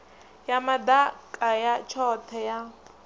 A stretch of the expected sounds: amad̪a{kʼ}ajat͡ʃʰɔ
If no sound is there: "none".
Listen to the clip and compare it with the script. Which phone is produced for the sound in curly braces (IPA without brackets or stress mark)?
kʼ